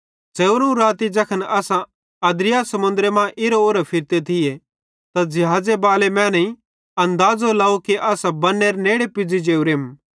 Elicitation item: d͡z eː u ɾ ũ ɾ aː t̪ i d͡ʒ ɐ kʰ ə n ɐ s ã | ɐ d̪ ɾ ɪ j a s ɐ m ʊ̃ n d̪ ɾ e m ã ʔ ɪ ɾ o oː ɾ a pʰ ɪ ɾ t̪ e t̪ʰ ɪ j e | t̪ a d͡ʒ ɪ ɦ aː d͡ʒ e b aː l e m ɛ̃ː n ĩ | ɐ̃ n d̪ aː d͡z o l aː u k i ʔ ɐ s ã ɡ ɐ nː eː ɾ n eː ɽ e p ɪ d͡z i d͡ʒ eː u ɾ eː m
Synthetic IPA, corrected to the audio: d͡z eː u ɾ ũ ɾ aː t̪ i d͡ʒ ɐ kʰ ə n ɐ s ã | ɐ d̪ ɾ ɪ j a s ɐ m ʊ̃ n d̪ ɾ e m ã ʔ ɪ ɾ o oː ɾ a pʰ ɪ ɾ t̪ e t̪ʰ ɪ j e | t̪ a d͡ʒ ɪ ɦ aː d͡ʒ e b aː l e m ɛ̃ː n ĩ | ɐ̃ n d̪ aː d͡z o l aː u k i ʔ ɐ s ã b ɐ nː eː ɾ n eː ɽ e p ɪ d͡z i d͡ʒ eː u ɾ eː m